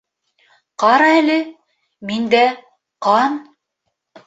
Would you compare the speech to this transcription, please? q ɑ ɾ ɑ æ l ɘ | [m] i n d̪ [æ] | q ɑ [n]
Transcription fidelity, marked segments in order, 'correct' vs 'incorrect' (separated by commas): correct, correct, correct